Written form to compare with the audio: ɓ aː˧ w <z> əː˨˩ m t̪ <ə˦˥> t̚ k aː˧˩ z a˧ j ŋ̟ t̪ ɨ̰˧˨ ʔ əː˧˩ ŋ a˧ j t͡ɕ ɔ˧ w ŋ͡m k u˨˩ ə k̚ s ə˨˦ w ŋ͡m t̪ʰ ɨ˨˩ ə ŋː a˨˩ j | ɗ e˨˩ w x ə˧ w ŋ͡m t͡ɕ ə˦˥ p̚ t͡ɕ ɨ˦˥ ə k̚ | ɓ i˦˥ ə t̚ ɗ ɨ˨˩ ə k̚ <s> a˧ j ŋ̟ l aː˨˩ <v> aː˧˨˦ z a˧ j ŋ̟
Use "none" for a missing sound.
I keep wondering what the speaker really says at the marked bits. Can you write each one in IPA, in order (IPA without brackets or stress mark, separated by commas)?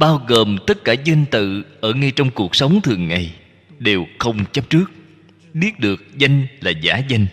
ɣ, ə˦˥, z, z